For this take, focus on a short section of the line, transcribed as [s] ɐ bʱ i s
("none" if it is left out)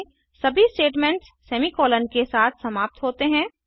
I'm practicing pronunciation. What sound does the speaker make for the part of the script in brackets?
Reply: s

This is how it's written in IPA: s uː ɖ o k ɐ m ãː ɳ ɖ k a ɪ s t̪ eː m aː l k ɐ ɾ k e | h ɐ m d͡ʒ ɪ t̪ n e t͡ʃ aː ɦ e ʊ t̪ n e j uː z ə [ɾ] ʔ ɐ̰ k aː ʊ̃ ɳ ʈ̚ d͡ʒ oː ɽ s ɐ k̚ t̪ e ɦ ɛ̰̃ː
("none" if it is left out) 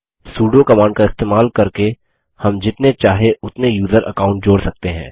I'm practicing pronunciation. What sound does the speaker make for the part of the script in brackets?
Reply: ɾ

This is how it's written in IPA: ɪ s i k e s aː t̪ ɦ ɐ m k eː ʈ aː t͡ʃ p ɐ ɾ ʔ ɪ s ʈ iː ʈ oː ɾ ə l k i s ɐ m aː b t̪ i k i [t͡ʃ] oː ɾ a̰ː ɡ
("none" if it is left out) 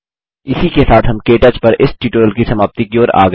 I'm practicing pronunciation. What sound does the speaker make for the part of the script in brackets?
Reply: none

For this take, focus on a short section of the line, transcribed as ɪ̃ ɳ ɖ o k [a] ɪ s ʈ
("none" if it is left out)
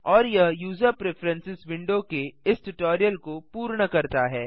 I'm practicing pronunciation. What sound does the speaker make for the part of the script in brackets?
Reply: e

